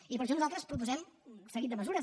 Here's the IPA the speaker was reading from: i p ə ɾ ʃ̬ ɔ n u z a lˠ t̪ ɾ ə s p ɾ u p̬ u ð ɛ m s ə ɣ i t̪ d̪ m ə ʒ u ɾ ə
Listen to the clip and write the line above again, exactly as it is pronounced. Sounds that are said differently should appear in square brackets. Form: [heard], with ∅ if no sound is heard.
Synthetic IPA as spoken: i p ə ɾ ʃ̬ ɔ n u z a lˠ t̪ ɾ ə s p ɾ u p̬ u [z] ɛ m s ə ɣ i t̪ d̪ m ə [z] u ɾ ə